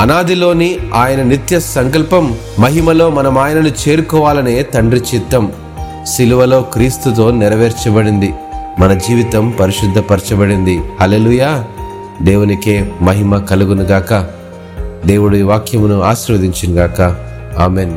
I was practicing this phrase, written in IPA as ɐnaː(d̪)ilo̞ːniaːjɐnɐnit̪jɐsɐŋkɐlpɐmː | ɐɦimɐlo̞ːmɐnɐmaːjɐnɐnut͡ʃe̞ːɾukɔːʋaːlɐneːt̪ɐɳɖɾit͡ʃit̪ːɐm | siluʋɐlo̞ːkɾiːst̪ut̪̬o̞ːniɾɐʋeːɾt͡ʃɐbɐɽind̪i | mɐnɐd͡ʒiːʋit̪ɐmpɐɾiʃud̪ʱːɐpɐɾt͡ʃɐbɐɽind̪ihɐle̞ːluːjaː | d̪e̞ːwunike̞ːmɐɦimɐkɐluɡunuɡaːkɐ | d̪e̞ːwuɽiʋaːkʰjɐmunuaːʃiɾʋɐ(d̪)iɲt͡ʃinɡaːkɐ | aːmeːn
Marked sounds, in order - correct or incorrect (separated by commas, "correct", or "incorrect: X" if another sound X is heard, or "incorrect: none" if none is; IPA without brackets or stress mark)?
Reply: correct, correct